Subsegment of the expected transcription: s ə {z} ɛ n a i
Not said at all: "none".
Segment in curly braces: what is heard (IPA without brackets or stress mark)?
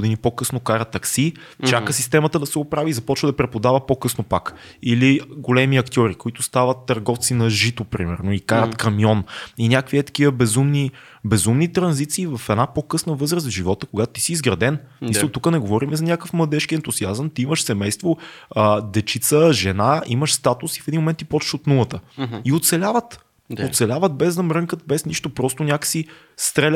ʒ